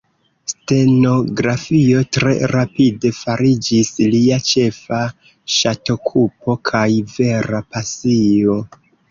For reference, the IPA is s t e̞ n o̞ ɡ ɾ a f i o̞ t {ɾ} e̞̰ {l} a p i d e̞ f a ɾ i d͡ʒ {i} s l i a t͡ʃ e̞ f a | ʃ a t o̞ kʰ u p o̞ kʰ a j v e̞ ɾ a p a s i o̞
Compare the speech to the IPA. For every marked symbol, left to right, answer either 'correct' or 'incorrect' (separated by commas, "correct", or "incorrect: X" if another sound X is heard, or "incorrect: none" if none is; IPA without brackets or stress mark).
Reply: correct, incorrect: ɾ, correct